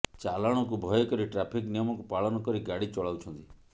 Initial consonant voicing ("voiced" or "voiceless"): voiceless